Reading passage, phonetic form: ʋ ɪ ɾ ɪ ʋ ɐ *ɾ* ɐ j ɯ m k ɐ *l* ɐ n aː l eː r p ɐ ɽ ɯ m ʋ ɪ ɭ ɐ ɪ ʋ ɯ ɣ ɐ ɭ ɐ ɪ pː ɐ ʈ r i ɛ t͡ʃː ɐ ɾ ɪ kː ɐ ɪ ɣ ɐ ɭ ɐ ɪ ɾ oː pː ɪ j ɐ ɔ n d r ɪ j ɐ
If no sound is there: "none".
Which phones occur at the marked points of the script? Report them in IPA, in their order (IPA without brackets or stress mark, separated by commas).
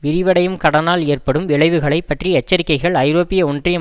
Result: ɽ, ɽ